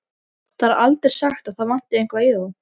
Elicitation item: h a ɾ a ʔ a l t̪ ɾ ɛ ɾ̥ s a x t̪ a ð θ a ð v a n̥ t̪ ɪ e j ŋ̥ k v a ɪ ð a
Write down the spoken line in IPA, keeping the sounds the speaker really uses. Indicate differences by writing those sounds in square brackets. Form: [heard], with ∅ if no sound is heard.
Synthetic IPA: [θ] a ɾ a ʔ a l t̪ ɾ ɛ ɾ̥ s a x t̪ a ð θ a ð v a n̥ t̪ ɪ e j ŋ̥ k v a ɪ ð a